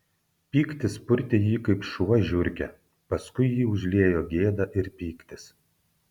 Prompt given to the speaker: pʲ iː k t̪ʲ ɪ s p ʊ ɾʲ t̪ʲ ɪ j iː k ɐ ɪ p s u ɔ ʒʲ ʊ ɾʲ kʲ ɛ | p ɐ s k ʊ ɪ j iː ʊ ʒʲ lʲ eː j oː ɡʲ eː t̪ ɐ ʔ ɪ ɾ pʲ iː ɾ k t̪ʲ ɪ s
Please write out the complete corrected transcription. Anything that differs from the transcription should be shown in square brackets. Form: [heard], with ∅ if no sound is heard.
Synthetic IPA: pʲ iː k t̪ʲ ɪ s p ʊ ɾʲ t̪ʲ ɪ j iː k ɐ ɪ p [ʃ] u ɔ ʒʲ ʊ ɾʲ kʲ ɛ | p ɐ s k ʊ ɪ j iː ʊ ʒʲ lʲ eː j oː ɡʲ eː [d̪] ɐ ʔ ɪ ɾ pʲ iː [∅] k t̪ʲ ɪ s

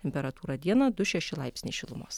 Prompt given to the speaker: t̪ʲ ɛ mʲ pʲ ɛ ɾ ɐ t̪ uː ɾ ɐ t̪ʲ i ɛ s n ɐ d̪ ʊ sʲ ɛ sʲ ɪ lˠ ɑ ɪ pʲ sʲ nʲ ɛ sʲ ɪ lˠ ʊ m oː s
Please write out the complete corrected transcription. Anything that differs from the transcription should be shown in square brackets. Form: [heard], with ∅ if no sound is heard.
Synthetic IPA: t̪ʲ ɛ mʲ pʲ ɛ ɾ ɐ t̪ uː ɾ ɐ [d̪ʲ] i ɛ [∅] n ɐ d̪ ʊ [ʃʲ] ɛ [ʃʲ] ɪ lˠ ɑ ɪ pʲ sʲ nʲ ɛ [ʃʲ] ɪ lˠ ʊ m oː s

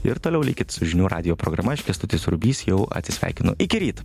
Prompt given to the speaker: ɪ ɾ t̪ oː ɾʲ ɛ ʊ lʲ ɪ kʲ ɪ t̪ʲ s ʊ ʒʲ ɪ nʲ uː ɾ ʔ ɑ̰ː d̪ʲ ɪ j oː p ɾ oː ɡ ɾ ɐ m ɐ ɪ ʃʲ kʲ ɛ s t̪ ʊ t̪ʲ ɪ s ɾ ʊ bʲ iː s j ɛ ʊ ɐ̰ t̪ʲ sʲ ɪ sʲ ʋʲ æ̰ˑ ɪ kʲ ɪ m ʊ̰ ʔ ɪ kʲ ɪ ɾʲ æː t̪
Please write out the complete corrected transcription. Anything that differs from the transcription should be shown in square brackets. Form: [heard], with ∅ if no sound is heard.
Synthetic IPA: ɪ ɾ t̪ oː [lʲ] ɛ ʊ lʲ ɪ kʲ ɪ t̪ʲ s ʊ ʒʲ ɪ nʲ uː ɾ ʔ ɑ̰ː d̪ʲ ɪ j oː p ɾ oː ɡ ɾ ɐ m ɐ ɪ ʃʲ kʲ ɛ s t̪ ʊ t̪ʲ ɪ s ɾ ʊ bʲ iː s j ɛ ʊ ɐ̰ t̪ʲ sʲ ɪ sʲ ʋʲ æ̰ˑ ɪ kʲ ɪ [n] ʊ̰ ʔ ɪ kʲ ɪ ɾʲ [iː] t̪

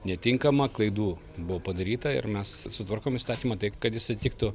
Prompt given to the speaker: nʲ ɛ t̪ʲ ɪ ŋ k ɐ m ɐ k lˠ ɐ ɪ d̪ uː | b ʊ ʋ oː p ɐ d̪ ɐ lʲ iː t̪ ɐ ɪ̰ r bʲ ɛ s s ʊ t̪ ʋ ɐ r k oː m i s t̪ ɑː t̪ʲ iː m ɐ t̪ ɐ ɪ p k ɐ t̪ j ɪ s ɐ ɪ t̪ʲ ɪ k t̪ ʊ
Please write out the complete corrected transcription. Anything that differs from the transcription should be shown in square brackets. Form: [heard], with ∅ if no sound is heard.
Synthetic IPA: nʲ ɛ t̪ʲ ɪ ŋ k ɐ m ɐ k lˠ ɐ ɪ d̪ uː | b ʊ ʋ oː p ɐ d̪ ɐ [ɾʲ] iː t̪ ɐ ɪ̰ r [mʲ] ɛ s s ʊ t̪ ʋ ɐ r k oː m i s t̪ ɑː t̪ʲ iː m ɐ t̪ ɐ ɪ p k ɐ t̪ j ɪ s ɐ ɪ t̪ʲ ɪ k t̪ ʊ

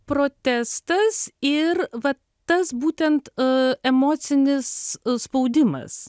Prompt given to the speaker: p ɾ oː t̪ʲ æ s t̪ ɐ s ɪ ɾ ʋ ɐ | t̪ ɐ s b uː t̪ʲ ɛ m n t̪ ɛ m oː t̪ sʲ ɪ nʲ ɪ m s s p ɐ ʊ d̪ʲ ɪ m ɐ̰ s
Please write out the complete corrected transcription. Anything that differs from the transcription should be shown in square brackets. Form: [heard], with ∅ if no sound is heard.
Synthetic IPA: p ɾ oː t̪ʲ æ s t̪ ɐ s ɪ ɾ ʋ ɐ | t̪ ɐ s b uː t̪ʲ ɛ [∅] n t̪ ɛ m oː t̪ sʲ ɪ nʲ ɪ [∅] s s p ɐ ʊ d̪ʲ ɪ m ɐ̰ s

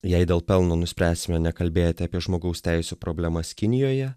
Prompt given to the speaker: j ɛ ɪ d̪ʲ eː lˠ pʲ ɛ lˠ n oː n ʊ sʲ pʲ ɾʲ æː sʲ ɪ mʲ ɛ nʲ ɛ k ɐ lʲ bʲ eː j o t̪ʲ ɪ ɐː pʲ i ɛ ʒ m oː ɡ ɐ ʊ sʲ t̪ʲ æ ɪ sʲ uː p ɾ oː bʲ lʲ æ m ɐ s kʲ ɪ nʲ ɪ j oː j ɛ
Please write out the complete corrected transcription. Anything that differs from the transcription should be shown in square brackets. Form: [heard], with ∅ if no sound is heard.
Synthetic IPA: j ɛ ɪ d̪ʲ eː lˠ pʲ ɛ lˠ n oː n ʊ sʲ pʲ ɾʲ æː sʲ ɪ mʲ ɛ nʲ ɛ k ɐ lʲ bʲ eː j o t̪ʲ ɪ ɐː pʲ i ɛ ʒ m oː ɡ ɐ ʊ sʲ t̪ʲ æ ɪ sʲ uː p ɾ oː bʲ lʲ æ m ɐ s kʲ ɪ nʲ ɪ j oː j ɛ

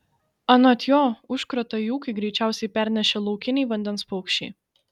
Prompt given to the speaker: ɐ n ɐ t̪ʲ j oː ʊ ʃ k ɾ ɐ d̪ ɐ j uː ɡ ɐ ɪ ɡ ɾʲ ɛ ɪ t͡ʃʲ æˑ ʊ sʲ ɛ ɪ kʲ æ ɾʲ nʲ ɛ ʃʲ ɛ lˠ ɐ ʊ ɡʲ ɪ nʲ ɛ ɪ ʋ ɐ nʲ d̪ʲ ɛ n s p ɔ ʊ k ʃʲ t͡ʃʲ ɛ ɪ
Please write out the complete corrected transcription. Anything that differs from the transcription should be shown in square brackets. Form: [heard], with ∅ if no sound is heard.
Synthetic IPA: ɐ n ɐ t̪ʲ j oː ʊ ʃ k ɾ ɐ [t̪] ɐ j uː [k] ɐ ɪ ɡ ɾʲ ɛ ɪ t͡ʃʲ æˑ ʊ sʲ ɛ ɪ [pʲ] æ ɾʲ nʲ ɛ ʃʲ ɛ lˠ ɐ ʊ [kʲ] ɪ nʲ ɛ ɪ ʋ ɐ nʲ d̪ʲ ɛ n s p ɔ ʊ k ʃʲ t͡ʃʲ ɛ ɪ

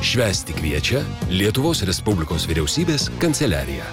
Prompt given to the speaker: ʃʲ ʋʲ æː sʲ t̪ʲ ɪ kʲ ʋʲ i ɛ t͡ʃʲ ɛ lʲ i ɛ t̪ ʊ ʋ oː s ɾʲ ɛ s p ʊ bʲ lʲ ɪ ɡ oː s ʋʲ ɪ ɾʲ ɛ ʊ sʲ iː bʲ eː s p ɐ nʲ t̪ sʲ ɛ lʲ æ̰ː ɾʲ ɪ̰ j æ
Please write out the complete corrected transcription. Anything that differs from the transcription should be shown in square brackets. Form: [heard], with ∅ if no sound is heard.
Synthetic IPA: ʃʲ ʋʲ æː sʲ t̪ʲ ɪ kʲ ʋʲ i ɛ t͡ʃʲ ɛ lʲ i ɛ t̪ ʊ ʋ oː s ɾʲ ɛ s p ʊ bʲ lʲ ɪ [k] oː s ʋʲ ɪ ɾʲ ɛ ʊ sʲ iː bʲ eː s [k] ɐ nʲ t̪ sʲ ɛ lʲ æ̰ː ɾʲ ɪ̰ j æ

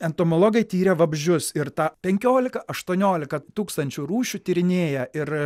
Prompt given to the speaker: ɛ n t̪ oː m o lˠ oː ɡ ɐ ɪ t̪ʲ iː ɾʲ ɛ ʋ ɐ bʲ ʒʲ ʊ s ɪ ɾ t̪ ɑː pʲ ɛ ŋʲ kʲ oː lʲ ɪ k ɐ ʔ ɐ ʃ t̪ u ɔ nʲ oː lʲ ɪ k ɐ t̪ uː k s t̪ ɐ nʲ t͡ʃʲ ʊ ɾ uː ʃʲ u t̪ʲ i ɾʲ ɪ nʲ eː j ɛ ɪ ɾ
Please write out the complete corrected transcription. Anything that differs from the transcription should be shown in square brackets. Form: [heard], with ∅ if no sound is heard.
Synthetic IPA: ɛ n t̪ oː m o lˠ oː ɡ ɐ ɪ t̪ʲ iː ɾʲ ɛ ʋ ɐ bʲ ʒʲ ʊ s ɪ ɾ t̪ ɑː pʲ ɛ ŋʲ kʲ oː lʲ ɪ k ɐ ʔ ɐ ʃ t̪ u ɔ nʲ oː lʲ ɪ k ɐ t̪ uː k s t̪ ɐ nʲ t͡ʃʲ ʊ ɾ uː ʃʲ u t̪ʲ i ɾʲ ɪ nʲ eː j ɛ ɪ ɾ

